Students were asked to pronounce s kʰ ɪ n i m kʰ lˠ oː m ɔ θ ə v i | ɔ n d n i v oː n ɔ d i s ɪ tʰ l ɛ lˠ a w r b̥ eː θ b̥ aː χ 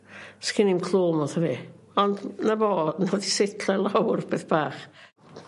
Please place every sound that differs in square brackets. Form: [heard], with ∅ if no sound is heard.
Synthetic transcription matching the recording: s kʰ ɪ n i m kʰ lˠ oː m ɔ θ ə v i | ɔ n d n [a] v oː n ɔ d i s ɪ tʰ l ɛ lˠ a w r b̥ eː θ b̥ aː χ

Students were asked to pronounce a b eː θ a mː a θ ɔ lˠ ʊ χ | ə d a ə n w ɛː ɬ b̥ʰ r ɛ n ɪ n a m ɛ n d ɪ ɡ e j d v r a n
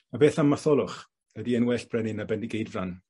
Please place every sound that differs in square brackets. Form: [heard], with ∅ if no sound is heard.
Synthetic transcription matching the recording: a b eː θ a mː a θ ɔ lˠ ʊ χ | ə d [i] ə n w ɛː ɬ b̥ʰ r ɛ n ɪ n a [b] ɛ n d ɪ ɡ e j d v r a n

